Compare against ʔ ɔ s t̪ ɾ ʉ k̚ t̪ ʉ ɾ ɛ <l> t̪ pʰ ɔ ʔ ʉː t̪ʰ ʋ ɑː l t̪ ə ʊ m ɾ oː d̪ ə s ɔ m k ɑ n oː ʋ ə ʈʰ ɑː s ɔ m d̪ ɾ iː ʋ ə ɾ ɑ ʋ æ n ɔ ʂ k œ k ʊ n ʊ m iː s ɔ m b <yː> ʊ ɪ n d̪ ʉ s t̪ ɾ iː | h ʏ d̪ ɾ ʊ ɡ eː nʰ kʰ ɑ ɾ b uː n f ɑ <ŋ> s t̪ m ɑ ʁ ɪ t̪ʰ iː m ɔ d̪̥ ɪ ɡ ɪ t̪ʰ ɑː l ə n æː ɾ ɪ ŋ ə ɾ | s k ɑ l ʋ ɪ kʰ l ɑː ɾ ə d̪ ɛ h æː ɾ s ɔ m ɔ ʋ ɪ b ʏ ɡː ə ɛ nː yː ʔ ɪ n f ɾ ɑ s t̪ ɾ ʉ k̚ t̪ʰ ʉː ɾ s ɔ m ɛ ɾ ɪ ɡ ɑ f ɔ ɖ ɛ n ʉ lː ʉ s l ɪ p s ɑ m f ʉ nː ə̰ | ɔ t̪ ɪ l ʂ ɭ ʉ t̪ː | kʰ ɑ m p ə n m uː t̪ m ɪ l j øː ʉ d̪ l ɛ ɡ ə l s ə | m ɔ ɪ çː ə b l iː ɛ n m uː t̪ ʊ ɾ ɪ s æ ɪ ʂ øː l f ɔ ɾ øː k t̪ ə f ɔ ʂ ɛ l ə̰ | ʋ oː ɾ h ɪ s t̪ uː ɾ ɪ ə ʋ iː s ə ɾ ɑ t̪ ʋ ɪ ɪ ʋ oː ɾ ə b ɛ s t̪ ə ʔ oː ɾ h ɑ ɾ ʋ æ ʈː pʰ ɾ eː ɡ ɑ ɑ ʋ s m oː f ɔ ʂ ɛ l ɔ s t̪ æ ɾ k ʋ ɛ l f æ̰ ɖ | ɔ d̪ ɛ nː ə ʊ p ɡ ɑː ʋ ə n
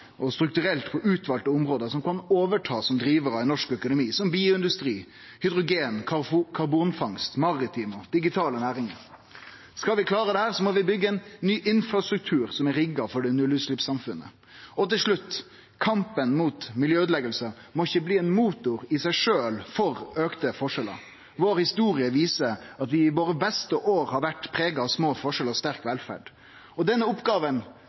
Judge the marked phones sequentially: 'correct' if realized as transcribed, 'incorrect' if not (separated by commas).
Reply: correct, incorrect, correct